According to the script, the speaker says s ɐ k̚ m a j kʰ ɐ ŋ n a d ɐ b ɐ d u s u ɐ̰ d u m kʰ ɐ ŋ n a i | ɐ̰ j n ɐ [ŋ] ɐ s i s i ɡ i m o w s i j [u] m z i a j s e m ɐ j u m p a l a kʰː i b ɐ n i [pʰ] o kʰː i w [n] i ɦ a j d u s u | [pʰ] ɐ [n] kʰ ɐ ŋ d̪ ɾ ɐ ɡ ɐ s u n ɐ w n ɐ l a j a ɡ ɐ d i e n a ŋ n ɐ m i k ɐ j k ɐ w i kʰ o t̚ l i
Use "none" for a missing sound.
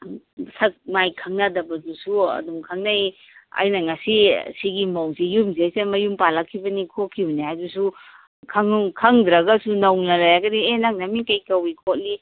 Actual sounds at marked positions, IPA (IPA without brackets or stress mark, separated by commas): ŋ, u, kʰ, n, kʰ, ŋ